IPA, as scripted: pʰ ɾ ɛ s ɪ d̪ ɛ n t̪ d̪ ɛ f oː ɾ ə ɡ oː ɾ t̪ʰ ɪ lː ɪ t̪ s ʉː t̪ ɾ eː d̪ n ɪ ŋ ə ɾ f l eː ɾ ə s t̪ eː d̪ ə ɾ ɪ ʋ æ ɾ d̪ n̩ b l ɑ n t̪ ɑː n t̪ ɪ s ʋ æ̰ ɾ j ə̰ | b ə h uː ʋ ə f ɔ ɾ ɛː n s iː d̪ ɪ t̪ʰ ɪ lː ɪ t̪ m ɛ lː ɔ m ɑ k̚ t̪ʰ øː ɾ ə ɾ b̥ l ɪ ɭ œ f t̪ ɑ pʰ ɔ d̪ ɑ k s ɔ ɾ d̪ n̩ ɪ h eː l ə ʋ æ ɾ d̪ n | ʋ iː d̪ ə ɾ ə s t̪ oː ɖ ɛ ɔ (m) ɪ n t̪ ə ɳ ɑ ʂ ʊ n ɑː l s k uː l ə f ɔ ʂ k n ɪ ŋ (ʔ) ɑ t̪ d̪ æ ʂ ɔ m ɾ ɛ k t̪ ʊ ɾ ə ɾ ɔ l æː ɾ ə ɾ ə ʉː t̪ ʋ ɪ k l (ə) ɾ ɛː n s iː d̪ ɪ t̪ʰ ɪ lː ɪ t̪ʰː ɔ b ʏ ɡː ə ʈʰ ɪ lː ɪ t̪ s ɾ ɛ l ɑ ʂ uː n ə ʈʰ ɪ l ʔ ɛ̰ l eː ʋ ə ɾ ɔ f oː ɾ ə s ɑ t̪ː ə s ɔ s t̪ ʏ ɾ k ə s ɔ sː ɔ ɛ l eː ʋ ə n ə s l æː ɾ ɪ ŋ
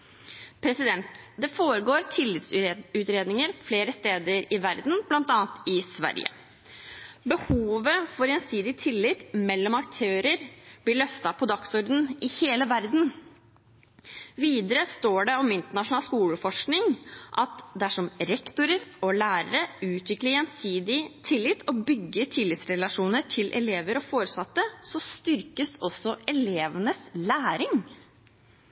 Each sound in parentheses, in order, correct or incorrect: correct, correct, correct

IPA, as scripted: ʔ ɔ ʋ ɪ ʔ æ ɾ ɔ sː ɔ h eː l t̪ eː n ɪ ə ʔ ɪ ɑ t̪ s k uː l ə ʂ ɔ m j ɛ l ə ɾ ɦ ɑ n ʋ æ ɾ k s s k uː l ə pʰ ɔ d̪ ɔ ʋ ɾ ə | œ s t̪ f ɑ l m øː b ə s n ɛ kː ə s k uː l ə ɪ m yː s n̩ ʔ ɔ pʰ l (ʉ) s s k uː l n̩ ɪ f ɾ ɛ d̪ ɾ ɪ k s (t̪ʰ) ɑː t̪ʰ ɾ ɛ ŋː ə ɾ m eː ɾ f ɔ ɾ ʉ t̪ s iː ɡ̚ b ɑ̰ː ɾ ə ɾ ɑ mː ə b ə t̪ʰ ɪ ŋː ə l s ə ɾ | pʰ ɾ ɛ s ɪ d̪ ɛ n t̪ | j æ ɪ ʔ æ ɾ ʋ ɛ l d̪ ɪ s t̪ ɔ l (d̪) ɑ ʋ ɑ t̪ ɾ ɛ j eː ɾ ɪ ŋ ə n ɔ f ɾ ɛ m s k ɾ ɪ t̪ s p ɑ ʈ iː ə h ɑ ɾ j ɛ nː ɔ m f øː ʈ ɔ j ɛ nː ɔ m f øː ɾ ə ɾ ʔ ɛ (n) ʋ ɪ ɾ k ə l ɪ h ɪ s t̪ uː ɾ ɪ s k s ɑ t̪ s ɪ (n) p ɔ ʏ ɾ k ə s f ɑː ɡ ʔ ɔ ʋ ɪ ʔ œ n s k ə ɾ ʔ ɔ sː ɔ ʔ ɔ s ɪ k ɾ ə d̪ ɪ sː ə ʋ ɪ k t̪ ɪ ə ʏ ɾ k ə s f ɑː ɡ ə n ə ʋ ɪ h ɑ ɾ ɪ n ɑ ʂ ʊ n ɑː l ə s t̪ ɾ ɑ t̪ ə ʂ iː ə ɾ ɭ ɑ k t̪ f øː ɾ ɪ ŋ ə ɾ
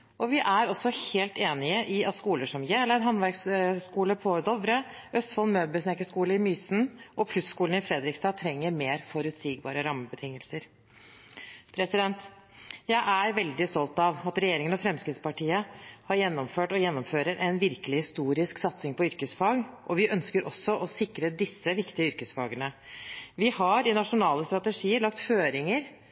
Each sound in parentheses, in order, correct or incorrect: correct, incorrect, incorrect, correct, incorrect

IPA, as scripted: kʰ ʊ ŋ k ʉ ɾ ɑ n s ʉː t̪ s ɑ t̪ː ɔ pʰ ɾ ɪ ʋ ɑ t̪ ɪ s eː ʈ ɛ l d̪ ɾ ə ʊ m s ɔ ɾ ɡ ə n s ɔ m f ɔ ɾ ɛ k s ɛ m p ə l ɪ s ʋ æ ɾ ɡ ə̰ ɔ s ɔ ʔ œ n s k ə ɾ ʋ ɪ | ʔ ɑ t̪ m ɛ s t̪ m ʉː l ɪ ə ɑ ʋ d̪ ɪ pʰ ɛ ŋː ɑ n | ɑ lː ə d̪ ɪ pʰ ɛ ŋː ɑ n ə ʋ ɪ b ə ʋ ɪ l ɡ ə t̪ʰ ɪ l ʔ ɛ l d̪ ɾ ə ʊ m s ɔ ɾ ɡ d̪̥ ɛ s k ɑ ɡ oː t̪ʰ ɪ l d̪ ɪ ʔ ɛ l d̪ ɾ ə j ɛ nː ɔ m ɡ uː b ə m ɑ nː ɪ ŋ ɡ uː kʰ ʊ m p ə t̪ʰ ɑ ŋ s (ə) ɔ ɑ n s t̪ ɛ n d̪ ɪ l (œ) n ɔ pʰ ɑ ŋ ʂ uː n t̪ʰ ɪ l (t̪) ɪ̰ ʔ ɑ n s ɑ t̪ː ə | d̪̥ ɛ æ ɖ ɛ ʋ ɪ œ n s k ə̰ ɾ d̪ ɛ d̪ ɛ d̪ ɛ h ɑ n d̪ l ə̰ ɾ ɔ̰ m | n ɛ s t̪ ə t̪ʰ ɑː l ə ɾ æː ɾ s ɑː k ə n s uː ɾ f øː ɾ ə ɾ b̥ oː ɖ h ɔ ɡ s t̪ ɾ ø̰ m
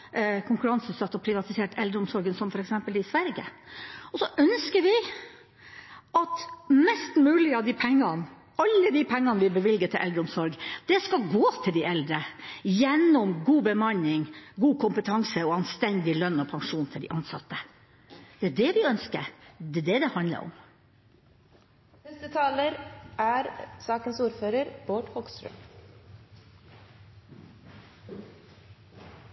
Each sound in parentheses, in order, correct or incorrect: correct, correct, incorrect

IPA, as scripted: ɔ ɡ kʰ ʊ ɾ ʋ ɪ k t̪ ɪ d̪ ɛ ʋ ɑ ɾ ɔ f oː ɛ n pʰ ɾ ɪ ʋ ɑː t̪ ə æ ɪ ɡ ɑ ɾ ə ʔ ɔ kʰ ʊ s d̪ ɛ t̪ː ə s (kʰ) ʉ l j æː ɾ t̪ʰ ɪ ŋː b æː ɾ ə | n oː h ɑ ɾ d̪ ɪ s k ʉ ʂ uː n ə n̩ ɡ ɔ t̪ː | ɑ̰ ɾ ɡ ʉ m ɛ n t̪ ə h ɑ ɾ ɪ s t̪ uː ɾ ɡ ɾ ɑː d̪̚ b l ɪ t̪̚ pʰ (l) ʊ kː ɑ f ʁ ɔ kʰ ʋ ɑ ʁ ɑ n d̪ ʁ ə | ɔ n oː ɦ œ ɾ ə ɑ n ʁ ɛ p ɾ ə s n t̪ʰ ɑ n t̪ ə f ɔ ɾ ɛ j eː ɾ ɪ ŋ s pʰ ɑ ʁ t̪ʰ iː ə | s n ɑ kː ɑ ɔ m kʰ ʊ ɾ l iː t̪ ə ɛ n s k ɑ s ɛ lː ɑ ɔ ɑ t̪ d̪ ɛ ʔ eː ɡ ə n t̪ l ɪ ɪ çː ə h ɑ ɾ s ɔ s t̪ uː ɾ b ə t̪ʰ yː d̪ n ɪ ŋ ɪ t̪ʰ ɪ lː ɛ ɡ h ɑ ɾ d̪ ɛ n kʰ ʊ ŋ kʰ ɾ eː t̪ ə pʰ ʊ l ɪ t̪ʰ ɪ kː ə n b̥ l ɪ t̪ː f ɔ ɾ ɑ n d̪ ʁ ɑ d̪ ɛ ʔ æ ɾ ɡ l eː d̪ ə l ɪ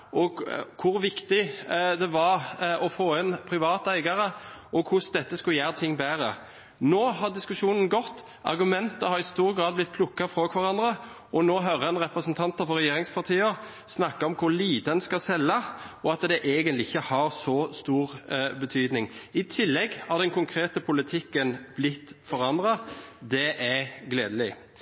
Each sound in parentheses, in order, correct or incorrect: incorrect, correct

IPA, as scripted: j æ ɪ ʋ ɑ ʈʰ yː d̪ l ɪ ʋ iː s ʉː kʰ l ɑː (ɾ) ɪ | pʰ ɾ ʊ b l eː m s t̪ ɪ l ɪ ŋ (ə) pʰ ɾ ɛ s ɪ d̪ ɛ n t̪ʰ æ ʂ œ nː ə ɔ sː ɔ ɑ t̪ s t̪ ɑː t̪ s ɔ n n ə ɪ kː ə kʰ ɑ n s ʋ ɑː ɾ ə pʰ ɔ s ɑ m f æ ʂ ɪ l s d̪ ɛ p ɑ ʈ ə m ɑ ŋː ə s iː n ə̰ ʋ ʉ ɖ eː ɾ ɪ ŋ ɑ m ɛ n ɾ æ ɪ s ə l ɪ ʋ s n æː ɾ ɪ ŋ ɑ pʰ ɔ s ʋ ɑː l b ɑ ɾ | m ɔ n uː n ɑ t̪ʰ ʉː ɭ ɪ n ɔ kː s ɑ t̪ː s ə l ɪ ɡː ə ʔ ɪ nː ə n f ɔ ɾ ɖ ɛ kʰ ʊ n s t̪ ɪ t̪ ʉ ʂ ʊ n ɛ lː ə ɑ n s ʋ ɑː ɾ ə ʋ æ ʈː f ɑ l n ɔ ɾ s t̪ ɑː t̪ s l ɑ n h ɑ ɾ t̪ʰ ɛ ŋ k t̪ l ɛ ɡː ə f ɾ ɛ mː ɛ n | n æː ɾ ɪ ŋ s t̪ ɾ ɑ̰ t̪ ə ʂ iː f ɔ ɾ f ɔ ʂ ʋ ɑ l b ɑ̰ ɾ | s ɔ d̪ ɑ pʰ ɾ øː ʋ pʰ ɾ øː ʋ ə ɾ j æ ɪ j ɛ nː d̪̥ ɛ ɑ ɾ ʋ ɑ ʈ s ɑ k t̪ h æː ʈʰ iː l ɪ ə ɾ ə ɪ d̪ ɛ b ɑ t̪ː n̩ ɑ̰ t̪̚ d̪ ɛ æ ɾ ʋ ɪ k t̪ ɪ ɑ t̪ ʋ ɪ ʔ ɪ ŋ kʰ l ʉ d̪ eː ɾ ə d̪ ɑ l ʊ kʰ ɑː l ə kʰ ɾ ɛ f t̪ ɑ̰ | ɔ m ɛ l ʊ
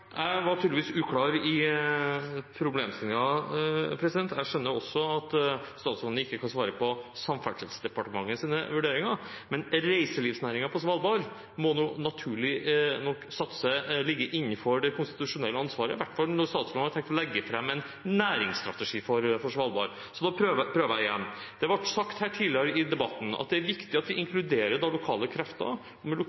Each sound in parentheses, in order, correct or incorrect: correct, incorrect

